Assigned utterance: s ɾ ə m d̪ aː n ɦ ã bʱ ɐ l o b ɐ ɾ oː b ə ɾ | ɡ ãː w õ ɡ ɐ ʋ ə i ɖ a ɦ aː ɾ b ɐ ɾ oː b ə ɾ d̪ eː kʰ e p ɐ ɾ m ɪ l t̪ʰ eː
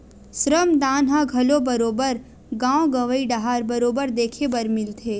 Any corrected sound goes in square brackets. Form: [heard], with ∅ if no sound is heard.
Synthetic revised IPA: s ɾ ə m d̪ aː n ɦ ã [ɡʱ] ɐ l o b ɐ ɾ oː b ə ɾ | ɡ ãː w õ ɡ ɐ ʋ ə i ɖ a ɦ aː ɾ b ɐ ɾ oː b ə ɾ d̪ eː kʰ e [b] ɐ ɾ m ɪ l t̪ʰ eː